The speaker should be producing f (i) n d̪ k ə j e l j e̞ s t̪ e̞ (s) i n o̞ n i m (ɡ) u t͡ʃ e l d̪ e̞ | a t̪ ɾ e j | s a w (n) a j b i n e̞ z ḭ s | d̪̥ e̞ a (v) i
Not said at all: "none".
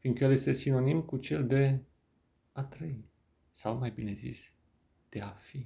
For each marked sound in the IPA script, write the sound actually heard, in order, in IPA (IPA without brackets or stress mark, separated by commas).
i, s, k, m, f